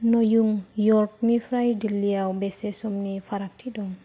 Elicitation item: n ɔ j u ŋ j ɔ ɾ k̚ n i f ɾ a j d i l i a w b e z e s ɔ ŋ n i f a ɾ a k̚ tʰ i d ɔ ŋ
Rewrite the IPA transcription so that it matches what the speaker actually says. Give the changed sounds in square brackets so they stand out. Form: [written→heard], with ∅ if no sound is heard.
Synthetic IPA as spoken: n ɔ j u ŋ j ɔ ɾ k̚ n i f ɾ a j d i l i a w b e [z→s] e s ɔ [ŋ→m] n i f a ɾ a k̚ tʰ i d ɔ ŋ